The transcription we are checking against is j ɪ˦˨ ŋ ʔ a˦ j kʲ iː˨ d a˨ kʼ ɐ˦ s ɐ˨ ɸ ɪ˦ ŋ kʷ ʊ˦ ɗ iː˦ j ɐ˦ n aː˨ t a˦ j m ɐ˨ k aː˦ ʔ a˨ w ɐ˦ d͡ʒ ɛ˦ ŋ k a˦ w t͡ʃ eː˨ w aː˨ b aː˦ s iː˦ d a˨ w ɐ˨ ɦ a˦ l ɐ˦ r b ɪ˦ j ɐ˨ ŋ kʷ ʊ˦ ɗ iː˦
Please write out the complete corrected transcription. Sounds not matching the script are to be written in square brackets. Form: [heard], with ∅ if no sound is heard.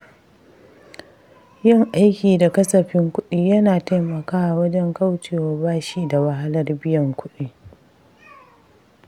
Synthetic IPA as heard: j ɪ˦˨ ŋ ʔ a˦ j kʲ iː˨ d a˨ [k] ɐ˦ s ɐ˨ ɸ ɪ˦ ŋ kʷ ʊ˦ ɗ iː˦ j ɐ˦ n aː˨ t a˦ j m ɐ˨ k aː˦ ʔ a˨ w ɐ˦ d͡ʒ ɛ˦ ŋ k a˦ w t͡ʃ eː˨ w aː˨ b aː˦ [ʃ] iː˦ d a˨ w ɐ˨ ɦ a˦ l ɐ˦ r b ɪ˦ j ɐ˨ ŋ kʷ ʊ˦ ɗ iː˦